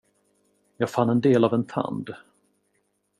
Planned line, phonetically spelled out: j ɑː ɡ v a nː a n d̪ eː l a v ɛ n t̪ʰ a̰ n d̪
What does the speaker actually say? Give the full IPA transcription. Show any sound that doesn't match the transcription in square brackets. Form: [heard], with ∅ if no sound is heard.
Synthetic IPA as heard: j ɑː ɡ [f] a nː [ɛ] n d̪ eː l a v ɛ n t̪ʰ a̰ n d̪

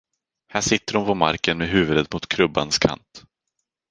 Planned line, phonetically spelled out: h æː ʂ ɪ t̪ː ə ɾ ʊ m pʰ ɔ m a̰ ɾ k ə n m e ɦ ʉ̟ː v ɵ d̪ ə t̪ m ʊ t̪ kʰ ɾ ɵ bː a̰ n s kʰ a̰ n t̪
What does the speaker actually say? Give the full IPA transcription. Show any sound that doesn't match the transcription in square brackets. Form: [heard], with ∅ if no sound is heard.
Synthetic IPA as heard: h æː ʂ ɪ t̪ː ə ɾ ʊ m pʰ ɔ m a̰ ɾ k ə n m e ɦ ʉ̟ː v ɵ d̪ ə t̪ m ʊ t̪ kʰ ɾ ɵ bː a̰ n s kʰ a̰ n t̪

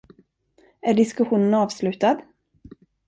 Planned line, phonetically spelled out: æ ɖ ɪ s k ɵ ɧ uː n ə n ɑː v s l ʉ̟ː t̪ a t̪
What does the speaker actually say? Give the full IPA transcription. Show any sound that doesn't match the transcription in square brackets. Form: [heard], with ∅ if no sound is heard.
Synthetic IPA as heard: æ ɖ ɪ s k ɵ ɧ uː n ə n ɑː v s l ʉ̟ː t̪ a [d̪]

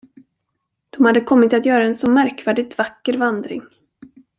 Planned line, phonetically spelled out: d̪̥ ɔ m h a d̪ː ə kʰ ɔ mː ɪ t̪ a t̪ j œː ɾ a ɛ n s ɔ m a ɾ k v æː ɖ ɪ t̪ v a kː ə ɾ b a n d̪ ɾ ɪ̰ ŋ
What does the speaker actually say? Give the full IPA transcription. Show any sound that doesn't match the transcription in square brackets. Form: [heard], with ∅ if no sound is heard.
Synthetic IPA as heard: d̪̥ ɔ m h a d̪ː ə kʰ ɔ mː ɪ t̪ a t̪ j œː ɾ a ɛ n s ɔ m [æ] ɾ k v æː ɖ ɪ t̪ v a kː ə ɾ [v] a n d̪ ɾ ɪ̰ ŋ

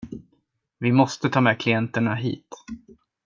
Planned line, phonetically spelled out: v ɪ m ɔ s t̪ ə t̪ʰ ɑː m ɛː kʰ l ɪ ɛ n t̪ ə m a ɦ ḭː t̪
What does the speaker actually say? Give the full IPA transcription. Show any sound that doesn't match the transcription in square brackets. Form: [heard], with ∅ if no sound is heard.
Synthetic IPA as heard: v ɪ m ɔ s t̪ ə t̪ʰ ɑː m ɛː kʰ l ɪ ɛ n t̪ ə [ɳ] a ɦ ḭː t̪

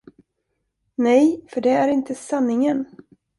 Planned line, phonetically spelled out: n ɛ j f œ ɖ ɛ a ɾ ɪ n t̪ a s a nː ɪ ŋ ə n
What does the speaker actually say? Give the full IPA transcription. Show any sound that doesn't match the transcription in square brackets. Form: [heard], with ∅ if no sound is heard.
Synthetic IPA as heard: n ɛ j f œ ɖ ɛ [æ] ɾ ɪ n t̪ [ə] s a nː ɪ ŋ ə n

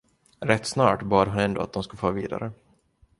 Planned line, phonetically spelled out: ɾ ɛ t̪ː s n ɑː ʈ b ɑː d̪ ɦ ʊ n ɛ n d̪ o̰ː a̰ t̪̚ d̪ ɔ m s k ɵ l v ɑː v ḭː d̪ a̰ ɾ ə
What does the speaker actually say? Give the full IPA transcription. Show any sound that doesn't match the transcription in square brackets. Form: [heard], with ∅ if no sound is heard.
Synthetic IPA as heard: ɾ ɛ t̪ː s n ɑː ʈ b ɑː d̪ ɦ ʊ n ɛ n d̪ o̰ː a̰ t̪̚ d̪ ɔ m s k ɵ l [f] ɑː v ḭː d̪ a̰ ɾ ə

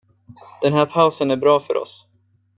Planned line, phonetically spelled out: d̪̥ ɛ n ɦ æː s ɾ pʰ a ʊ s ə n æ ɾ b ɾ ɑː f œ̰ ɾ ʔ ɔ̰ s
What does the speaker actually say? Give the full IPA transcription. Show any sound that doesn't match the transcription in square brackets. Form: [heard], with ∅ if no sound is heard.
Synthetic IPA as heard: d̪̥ ɛ n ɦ æː [∅] ɾ pʰ a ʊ s ə n æ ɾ b ɾ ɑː f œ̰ ɾ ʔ ɔ̰ s

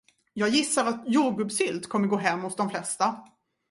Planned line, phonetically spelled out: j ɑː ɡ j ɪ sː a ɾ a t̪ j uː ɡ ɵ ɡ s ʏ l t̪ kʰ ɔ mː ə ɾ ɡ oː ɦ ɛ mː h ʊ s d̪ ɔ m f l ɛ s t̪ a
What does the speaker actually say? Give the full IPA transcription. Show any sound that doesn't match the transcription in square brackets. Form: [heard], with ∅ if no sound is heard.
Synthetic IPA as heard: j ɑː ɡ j ɪ sː a ɾ a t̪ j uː ɡ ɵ [b] s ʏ l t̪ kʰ ɔ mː ə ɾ ɡ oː ɦ ɛ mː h ʊ s d̪ ɔ m f l ɛ s t̪ a

